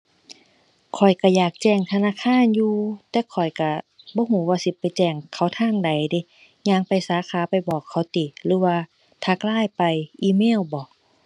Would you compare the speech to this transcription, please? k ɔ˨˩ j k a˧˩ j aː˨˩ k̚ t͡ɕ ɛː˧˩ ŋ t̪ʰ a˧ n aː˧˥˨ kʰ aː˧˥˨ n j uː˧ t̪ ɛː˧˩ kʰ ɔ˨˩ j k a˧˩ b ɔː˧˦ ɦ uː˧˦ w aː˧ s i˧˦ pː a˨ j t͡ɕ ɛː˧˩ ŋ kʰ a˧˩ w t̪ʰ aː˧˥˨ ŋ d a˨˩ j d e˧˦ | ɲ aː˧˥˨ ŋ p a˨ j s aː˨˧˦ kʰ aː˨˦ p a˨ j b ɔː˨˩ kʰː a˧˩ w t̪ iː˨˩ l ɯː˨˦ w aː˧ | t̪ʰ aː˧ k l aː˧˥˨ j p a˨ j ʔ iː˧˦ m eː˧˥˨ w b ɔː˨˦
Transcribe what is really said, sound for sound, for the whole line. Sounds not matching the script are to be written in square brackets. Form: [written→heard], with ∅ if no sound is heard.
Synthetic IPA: [k→kʰ] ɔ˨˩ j k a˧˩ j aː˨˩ k̚ t͡ɕ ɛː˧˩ ŋ t̪ʰ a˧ n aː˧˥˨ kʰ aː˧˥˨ n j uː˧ t̪ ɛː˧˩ kʰ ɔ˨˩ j k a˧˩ b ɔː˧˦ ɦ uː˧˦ w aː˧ s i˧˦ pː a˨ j t͡ɕ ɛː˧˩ ŋ kʰ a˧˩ w t̪ʰ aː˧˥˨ ŋ d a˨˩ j d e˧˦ | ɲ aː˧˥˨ ŋ p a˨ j s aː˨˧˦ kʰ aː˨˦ p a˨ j b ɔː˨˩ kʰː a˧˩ w t̪ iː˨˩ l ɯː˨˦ w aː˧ | t̪ʰ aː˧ k l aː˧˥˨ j p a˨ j ʔ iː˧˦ m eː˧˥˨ w b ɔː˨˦